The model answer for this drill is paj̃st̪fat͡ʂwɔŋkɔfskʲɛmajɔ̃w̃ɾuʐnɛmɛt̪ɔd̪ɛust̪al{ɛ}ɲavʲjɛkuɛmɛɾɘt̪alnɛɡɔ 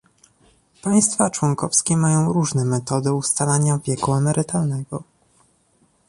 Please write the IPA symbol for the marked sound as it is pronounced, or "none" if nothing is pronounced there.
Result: a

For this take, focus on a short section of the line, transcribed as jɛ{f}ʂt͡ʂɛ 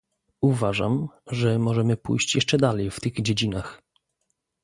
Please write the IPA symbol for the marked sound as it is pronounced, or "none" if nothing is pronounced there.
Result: none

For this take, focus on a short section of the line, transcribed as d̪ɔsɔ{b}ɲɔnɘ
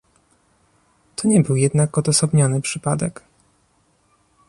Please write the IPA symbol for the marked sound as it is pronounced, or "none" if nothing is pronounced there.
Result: b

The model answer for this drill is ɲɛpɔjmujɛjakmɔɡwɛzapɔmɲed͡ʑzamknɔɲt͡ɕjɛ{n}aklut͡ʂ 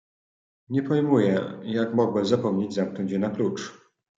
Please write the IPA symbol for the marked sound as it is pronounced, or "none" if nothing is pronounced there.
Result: n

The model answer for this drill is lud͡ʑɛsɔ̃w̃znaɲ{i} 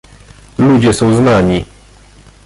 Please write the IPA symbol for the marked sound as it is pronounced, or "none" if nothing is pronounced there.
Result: i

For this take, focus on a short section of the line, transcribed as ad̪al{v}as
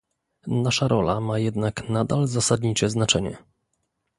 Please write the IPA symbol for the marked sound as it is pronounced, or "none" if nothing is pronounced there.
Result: z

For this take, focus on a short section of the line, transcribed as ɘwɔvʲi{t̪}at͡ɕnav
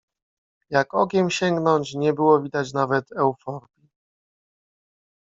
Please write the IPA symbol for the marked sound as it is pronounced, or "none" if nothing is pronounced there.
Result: d̪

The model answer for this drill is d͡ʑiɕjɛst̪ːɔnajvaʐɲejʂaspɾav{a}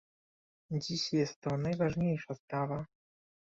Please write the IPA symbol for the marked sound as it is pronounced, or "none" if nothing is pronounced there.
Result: a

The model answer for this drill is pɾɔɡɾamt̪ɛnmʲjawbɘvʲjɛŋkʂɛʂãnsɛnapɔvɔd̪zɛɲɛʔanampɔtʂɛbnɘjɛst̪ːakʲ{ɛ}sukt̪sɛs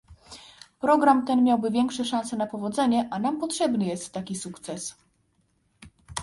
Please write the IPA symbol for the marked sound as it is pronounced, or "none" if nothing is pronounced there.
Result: i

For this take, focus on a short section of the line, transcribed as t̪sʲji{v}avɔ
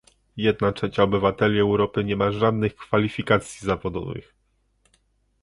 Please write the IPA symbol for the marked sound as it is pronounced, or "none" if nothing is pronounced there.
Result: z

